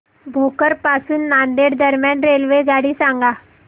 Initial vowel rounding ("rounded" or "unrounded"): rounded